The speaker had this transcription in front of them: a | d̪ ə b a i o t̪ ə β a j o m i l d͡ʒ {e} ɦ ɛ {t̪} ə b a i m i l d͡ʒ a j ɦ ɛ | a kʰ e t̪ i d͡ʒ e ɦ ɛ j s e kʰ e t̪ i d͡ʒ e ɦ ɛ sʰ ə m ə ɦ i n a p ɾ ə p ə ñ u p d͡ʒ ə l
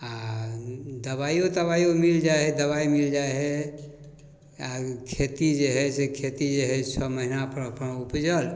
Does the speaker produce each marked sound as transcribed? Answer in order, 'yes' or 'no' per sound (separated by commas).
no, no